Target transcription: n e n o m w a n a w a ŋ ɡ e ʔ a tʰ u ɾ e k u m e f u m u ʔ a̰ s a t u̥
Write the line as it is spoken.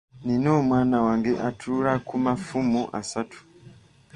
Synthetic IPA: n i n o m w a n a w a ŋ ɡ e ʔ a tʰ u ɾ a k u m a f u m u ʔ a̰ s a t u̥